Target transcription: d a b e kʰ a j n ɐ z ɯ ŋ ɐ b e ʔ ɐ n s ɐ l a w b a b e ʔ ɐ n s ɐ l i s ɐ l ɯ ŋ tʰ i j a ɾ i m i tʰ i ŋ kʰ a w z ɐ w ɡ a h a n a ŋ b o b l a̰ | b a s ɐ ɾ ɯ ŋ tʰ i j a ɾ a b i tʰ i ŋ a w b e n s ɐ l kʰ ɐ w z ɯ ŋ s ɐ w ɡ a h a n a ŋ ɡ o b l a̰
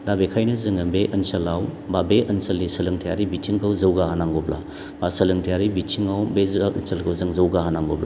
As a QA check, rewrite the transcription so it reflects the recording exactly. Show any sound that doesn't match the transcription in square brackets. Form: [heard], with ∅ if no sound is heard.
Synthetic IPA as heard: d a b e kʰ a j n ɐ z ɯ ŋ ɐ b e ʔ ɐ n s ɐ l a w b a b e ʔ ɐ n s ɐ l i s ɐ l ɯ ŋ tʰ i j a ɾ i [b] i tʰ i ŋ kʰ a w z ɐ w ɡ a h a n a ŋ [ɡ] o b l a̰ | b a s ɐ [l] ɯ ŋ tʰ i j a ɾ [i] b i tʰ i ŋ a w b e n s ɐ l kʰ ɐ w z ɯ ŋ [z] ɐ w ɡ a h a n a ŋ ɡ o b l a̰